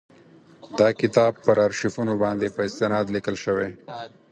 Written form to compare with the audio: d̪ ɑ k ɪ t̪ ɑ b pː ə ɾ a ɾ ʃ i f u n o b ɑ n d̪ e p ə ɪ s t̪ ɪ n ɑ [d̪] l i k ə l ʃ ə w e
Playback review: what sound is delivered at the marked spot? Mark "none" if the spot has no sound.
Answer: d̪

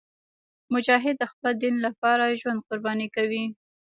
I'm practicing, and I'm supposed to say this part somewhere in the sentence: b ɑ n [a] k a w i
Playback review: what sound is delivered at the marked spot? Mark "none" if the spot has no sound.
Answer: i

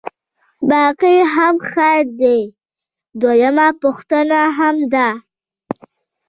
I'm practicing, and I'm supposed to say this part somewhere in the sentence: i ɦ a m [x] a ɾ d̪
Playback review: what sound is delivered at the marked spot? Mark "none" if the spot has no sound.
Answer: x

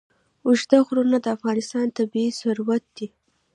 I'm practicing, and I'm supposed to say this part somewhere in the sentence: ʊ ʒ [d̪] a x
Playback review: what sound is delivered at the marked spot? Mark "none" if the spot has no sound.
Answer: d̪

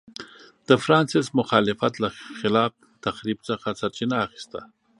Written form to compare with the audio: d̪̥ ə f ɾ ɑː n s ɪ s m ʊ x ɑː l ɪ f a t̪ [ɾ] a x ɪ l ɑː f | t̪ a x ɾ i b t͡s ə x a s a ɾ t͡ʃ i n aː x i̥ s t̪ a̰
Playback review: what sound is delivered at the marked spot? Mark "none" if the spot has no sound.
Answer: l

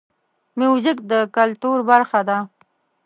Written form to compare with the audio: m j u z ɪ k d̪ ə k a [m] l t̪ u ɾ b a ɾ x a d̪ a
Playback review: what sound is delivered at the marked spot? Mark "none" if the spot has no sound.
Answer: none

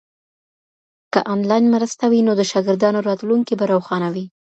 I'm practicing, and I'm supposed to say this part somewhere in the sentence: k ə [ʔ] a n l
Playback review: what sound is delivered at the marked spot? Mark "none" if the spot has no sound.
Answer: ʔ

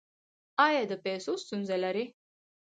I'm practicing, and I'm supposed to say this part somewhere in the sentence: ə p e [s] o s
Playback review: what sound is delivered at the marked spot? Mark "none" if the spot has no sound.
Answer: s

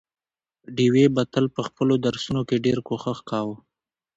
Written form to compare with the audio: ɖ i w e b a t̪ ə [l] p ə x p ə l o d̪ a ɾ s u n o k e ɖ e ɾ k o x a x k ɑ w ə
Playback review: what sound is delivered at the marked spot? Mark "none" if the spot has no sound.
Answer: l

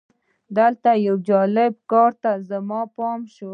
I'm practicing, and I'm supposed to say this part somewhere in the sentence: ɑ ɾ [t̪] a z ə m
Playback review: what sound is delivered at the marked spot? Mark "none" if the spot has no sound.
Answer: t̪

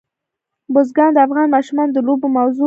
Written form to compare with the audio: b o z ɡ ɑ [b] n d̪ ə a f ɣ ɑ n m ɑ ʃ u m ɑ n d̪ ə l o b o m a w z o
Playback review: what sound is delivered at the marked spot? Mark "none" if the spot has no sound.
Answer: none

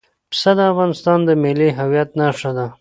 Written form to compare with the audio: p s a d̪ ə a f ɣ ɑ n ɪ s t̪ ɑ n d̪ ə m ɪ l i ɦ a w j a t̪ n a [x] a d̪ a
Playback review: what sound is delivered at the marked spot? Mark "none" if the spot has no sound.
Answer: ʂ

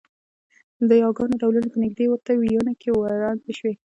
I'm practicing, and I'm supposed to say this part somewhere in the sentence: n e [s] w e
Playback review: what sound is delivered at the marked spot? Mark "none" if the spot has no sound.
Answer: ʃ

